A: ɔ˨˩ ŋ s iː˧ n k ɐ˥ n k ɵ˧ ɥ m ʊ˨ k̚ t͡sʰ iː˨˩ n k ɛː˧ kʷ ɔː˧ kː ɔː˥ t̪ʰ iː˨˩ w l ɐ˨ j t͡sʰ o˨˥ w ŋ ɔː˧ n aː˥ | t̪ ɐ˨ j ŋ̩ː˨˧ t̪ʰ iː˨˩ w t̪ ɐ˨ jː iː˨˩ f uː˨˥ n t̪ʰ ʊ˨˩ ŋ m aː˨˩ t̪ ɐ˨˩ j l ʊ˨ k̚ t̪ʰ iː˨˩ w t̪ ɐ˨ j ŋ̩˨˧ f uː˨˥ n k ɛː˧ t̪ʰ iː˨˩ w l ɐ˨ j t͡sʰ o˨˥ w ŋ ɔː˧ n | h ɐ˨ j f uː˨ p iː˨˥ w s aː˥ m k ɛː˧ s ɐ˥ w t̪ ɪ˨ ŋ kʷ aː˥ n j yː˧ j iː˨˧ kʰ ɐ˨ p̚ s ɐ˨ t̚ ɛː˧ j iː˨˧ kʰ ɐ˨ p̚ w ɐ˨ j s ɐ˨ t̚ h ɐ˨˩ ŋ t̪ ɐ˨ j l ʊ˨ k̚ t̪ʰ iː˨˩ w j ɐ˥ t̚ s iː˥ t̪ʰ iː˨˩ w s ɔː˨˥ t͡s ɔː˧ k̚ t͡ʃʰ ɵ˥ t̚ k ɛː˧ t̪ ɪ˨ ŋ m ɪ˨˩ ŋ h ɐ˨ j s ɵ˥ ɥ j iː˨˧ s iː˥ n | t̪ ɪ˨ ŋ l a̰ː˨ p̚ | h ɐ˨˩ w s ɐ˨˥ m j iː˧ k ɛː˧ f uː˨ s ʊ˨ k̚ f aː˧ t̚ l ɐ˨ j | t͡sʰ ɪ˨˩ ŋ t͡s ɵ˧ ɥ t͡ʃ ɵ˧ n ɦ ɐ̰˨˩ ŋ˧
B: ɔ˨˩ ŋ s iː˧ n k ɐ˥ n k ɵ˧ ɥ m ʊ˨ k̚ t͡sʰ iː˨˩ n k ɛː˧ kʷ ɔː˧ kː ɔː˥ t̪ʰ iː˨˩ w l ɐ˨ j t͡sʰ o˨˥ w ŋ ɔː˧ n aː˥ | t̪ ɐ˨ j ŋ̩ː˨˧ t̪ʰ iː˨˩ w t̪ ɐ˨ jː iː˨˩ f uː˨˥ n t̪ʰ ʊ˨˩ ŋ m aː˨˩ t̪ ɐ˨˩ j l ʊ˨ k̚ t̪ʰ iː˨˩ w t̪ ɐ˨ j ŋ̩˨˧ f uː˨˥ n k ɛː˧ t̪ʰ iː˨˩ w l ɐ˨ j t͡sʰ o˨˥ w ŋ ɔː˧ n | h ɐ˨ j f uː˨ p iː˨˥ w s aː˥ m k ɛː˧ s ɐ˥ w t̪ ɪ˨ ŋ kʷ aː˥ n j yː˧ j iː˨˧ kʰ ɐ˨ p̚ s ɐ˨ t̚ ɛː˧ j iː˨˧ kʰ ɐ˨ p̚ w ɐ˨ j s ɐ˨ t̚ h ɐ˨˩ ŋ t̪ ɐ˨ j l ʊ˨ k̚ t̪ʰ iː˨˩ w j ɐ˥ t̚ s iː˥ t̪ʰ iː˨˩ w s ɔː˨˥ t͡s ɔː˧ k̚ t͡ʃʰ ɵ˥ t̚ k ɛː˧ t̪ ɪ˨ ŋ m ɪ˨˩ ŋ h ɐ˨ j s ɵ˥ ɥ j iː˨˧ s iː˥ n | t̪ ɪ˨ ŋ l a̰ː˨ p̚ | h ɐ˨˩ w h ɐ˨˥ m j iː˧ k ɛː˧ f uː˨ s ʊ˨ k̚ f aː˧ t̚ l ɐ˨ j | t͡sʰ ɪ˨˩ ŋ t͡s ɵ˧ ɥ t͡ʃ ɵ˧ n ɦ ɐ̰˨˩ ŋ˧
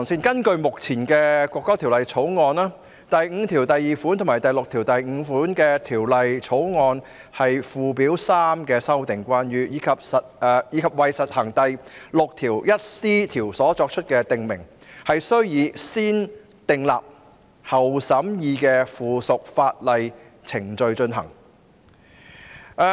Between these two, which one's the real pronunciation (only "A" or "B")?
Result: A